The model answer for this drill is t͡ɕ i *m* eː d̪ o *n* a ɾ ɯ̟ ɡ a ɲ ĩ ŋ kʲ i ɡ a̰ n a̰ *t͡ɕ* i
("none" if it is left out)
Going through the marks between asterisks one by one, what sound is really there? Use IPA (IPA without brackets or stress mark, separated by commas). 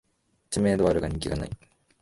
m, none, none